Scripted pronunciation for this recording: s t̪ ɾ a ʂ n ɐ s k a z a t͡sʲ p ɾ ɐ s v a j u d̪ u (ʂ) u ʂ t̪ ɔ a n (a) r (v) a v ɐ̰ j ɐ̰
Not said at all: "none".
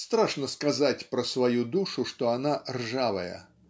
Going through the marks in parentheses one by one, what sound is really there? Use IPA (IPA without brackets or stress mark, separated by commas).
ʂ, a, ʐ